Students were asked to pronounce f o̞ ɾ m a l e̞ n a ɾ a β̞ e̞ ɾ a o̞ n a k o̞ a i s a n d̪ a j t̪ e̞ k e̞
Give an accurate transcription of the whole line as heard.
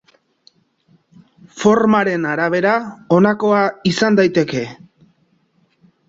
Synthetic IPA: f o̞ ɾ m a ɾ e̞ n a ɾ a β̞ e̞ ɾ a o̞ n a k o̞ a i s a n d̪ a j t̪ e̞ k e̞